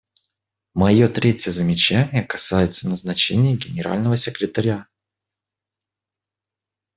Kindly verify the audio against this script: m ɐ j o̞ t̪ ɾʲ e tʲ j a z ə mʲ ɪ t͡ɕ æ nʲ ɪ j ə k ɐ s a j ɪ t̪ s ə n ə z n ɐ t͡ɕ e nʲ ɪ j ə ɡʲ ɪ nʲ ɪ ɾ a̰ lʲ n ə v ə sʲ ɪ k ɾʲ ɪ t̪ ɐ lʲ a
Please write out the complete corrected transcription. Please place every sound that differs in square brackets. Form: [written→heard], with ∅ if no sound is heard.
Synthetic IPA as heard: m ɐ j o̞ t̪ ɾʲ e tʲ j [a→ə] z ə mʲ ɪ t͡ɕ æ nʲ ɪ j ə k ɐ s a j ɪ t̪ s ə n ə z n ɐ t͡ɕ e nʲ ɪ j ə ɡʲ ɪ nʲ ɪ ɾ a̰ lʲ n ə v ə sʲ ɪ k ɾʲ ɪ t̪ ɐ [lʲ→ɾʲ] a